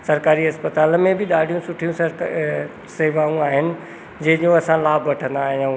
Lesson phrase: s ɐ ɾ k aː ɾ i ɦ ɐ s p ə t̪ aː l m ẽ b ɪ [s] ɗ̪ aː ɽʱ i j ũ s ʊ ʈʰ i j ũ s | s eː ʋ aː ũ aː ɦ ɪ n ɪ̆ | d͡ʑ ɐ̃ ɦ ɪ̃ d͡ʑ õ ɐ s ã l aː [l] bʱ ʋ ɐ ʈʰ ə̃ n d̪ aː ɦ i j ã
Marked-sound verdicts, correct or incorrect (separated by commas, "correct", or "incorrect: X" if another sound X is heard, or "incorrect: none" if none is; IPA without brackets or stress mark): incorrect: none, incorrect: none